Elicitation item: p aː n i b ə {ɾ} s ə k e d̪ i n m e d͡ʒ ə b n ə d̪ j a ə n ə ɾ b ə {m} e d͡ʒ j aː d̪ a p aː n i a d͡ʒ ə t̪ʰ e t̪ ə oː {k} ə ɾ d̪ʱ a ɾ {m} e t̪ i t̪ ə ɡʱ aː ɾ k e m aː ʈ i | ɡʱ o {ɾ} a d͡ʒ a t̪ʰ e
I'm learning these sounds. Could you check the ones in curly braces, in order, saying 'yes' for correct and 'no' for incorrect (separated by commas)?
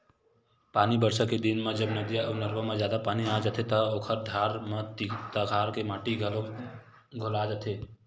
yes, yes, no, yes, no